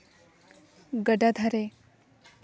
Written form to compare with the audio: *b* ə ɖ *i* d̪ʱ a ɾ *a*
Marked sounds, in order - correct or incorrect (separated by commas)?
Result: incorrect, incorrect, incorrect